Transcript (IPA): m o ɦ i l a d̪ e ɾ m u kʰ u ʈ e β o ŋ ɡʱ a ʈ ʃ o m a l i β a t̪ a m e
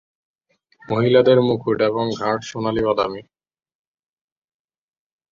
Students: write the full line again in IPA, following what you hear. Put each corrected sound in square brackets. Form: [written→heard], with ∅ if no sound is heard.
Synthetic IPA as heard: m o ɦ i l a d̪ e ɾ m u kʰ u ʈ e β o ŋ ɡʱ a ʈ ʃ o [m→n] a l i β a [t̪→d̪] a m [e→i]